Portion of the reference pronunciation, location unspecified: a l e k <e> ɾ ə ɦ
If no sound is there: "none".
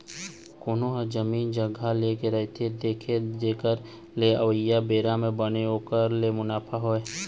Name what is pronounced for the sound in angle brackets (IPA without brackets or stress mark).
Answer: e